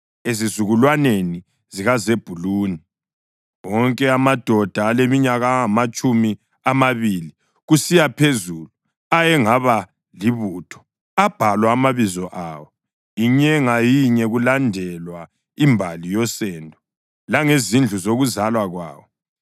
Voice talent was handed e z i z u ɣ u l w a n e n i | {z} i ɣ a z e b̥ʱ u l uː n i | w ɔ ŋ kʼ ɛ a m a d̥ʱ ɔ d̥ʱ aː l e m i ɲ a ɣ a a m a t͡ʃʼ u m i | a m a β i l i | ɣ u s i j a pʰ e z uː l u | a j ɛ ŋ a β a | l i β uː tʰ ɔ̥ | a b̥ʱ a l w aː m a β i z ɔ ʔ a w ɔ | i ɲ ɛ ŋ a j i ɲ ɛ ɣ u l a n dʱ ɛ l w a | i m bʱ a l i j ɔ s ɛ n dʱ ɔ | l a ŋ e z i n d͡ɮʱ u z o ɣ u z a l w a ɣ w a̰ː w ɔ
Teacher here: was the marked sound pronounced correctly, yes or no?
yes